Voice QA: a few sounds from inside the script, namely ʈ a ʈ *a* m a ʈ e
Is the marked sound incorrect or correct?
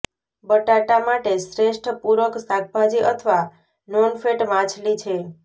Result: correct